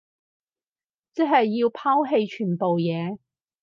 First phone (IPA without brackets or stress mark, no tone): t͡s